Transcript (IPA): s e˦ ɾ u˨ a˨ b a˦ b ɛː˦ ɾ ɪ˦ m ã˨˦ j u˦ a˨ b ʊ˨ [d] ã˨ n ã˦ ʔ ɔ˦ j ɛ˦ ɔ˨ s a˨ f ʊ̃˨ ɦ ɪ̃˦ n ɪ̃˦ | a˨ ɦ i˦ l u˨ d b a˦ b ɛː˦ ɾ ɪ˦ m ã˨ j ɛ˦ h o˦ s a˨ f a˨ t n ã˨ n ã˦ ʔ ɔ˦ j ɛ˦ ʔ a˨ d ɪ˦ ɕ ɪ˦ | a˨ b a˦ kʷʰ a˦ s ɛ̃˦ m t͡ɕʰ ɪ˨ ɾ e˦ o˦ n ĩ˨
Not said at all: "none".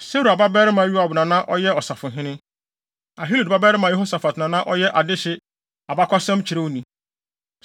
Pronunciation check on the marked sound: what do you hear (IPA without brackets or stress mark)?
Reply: n